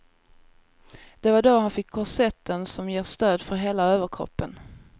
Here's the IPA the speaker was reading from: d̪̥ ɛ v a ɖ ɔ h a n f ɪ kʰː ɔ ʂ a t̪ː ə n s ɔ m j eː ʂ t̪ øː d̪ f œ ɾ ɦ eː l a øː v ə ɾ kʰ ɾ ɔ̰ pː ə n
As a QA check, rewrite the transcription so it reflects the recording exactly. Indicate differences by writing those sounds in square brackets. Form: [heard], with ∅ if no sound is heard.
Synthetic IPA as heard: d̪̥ ɛ v a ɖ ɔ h a n f ɪ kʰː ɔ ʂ [ɛ] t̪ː ə n s ɔ m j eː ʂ t̪ øː d̪ f œ ɾ ɦ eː l a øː v ə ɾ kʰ ɾ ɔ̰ pː ə n